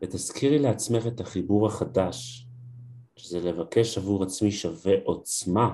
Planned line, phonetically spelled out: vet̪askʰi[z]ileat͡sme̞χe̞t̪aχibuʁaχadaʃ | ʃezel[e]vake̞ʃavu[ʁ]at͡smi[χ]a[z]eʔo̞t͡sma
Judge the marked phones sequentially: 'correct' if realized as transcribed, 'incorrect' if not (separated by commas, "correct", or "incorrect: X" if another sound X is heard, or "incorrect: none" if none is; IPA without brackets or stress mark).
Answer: incorrect: ʁ, correct, correct, incorrect: ʃ, incorrect: v